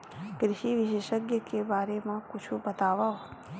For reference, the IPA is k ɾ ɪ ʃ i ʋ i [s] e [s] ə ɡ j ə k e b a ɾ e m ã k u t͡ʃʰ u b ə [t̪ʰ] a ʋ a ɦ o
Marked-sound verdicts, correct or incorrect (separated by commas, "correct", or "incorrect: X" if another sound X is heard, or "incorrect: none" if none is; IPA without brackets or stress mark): incorrect: ʃ, incorrect: ʃ, incorrect: t̪